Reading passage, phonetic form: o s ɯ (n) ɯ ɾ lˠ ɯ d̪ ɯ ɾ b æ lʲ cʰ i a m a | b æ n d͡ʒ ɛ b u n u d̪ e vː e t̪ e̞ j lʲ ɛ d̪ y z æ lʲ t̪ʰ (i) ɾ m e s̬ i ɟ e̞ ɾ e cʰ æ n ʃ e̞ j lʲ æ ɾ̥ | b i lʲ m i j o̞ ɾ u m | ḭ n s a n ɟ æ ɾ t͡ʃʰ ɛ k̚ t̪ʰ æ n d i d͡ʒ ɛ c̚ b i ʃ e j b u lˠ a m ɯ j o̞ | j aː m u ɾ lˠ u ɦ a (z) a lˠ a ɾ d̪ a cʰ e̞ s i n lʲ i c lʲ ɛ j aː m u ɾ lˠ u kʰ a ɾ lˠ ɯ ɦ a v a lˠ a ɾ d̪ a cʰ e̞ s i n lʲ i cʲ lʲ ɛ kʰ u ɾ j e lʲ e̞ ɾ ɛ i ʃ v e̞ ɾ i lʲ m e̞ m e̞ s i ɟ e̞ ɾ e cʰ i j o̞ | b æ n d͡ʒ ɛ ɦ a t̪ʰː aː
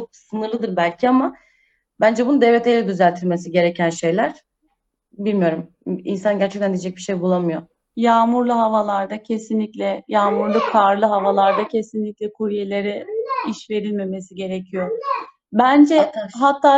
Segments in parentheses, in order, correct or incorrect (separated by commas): correct, correct, incorrect